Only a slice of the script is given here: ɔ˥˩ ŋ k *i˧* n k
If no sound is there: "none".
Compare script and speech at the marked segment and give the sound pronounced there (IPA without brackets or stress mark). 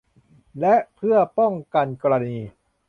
a˧